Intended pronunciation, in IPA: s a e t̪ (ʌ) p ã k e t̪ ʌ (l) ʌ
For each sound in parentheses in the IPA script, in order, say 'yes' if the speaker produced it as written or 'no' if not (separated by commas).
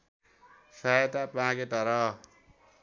no, no